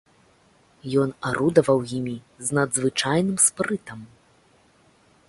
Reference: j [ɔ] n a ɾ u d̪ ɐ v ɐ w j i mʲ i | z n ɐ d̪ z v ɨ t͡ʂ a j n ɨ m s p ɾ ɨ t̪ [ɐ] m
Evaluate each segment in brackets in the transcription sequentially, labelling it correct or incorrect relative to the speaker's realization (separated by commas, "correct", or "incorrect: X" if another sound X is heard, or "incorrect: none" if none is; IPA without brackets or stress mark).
correct, correct